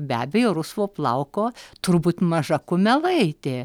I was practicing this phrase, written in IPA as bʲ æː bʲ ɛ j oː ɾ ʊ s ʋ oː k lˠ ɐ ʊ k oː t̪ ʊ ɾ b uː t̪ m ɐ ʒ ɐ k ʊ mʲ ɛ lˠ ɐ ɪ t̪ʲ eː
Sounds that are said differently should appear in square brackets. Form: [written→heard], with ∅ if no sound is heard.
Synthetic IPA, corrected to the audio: bʲ æː bʲ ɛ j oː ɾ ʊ s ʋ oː [k→p] lˠ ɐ ʊ k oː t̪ ʊ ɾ b uː t̪ m ɐ ʒ ɐ k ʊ mʲ ɛ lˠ ɐ ɪ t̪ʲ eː